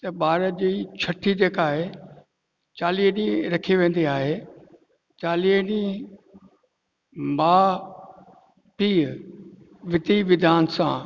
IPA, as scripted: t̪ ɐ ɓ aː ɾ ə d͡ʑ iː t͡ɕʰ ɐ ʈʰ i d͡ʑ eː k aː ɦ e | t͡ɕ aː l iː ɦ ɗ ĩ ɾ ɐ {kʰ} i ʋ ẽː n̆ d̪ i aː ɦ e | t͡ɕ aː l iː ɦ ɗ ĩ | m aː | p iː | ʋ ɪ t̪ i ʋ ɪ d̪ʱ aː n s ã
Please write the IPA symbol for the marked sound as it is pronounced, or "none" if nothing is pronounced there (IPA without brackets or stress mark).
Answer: kʰ